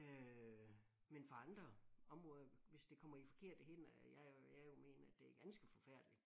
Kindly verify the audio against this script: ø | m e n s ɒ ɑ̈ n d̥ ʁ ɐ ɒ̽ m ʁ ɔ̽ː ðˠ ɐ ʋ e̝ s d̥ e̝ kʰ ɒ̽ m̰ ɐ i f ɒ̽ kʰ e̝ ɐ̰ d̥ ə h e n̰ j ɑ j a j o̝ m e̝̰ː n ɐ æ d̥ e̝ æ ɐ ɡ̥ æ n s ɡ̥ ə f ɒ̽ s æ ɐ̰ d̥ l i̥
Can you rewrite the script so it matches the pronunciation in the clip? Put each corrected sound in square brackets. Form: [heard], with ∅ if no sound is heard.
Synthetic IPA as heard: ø | m e n [f] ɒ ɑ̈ n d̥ ʁ ɐ ɒ̽ m ʁ ɔ̽ː ðˠ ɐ ʋ e̝ s d̥ e̝ kʰ ɒ̽ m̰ ɐ i f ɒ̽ kʰ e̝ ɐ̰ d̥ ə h e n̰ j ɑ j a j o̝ m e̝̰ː n ɐ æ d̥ e̝ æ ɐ ɡ̥ æ n s ɡ̥ ə f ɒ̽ [f] æ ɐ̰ d̥ l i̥